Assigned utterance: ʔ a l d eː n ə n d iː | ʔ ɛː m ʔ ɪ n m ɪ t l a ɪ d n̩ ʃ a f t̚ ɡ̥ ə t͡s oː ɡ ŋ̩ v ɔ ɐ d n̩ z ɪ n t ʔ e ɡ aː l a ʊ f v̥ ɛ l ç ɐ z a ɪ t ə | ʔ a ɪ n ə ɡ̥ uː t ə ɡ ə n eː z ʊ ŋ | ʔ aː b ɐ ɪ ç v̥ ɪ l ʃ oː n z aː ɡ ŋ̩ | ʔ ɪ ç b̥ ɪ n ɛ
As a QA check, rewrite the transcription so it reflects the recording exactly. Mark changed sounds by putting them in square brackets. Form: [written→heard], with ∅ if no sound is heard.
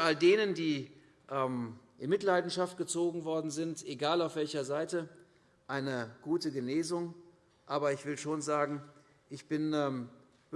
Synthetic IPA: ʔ a l d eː n ə n d iː | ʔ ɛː m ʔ ɪ n m ɪ t l a ɪ d n̩ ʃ a f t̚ ɡ̥ ə t͡s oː ɡ ŋ̩ v ɔ ɐ d n̩ z ɪ n t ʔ e ɡ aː l a ʊ f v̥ ɛ l ç ɐ z a ɪ t ə | ʔ a ɪ n ə ɡ̥ uː t ə ɡ ə n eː z ʊ ŋ | ʔ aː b ɐ ɪ ç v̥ ɪ l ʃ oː n z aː ɡ ŋ̩ | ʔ ɪ ç b̥ ɪ n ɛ